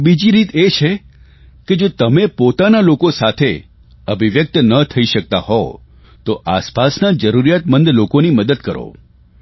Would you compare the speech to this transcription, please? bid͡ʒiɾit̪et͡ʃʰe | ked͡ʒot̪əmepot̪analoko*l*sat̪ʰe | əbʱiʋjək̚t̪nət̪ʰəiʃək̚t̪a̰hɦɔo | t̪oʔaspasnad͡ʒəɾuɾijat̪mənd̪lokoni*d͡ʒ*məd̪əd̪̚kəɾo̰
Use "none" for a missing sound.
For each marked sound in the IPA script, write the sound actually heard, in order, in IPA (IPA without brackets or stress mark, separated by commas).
none, none